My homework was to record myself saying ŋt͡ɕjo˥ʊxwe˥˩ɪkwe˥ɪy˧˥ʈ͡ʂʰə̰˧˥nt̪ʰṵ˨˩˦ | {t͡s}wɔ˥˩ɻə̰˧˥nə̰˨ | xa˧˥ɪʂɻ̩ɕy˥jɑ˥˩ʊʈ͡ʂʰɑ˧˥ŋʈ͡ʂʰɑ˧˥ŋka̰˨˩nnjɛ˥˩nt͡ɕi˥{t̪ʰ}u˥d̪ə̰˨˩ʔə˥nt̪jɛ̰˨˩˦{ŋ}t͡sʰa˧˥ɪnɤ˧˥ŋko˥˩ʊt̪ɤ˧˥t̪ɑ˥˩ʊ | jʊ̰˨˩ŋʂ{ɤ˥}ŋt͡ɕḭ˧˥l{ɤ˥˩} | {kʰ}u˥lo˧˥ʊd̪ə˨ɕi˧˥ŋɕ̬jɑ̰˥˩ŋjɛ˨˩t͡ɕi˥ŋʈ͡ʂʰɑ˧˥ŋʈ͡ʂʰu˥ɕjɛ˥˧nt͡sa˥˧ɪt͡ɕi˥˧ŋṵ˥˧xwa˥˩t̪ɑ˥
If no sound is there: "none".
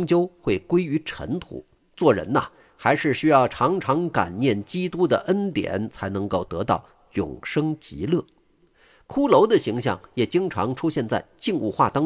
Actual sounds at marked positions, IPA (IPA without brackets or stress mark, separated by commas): t͡s, t̪, n, ɤ˥, ɤ˥˩, kʰ